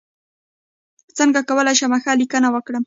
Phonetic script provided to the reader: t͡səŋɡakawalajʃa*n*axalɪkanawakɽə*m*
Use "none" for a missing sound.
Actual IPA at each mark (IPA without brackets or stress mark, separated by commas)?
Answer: m, m